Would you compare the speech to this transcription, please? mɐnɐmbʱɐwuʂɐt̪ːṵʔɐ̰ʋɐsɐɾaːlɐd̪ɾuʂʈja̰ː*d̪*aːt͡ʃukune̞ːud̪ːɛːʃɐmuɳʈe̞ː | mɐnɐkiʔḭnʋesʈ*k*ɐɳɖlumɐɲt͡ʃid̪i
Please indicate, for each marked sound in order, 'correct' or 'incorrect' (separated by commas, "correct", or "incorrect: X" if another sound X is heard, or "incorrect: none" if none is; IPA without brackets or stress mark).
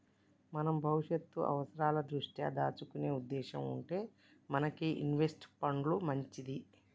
correct, incorrect: p